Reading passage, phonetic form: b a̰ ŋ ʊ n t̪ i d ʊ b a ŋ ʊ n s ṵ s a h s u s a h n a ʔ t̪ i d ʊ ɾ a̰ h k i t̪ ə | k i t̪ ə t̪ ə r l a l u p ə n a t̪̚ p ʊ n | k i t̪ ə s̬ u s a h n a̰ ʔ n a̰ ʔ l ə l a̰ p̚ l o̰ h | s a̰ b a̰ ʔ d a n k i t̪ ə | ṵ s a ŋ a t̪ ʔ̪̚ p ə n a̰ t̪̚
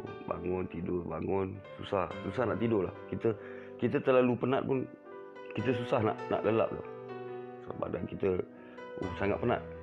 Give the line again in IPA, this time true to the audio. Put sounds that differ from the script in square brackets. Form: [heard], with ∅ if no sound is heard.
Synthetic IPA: b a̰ ŋ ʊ n t̪ i d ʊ b a ŋ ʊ n s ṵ s a h s u s a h n a ʔ t̪ i d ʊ [l] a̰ h k i t̪ ə | k i t̪ ə t̪ ə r l a l u p ə n a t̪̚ p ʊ n | k i t̪ ə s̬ u s a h n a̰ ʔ n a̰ ʔ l ə l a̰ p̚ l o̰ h | s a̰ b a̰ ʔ d a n k i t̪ ə | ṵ s a ŋ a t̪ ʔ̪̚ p ə n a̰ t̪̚